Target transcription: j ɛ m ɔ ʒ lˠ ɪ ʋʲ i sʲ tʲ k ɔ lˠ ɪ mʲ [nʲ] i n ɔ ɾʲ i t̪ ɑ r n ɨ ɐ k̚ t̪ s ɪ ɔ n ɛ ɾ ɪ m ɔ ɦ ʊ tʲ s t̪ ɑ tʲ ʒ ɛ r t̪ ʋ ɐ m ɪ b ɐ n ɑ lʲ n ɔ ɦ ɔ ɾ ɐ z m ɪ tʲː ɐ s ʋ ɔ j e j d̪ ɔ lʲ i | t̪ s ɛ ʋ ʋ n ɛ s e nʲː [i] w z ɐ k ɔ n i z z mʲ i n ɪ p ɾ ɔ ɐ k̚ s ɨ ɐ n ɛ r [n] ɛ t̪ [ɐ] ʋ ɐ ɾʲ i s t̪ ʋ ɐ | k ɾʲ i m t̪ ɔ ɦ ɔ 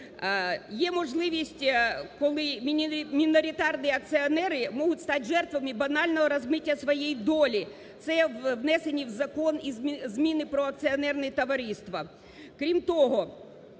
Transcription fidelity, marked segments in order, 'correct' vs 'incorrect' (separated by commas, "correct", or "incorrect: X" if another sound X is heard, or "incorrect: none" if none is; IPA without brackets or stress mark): incorrect: mʲ, correct, correct, correct